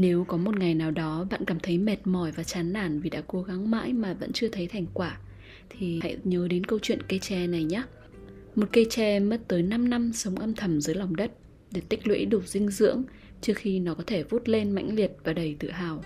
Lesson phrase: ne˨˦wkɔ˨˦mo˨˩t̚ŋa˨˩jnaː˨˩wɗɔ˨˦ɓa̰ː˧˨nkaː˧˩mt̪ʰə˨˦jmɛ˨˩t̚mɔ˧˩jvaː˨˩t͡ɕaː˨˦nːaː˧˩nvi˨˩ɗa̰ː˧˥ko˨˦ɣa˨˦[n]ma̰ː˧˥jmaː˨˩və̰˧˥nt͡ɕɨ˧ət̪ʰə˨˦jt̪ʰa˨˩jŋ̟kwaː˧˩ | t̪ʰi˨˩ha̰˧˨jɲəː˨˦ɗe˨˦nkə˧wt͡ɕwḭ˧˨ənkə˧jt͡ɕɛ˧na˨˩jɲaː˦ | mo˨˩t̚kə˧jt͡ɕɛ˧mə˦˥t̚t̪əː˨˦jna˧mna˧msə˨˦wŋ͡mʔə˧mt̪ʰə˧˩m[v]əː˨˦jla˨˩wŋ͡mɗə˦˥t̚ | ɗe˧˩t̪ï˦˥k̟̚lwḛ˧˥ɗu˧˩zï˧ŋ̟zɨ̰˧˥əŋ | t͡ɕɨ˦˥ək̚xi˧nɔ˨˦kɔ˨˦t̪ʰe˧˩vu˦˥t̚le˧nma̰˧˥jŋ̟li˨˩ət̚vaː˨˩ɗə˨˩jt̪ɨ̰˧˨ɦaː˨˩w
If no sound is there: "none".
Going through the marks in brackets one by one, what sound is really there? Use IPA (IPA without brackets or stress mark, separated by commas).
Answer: ŋ, z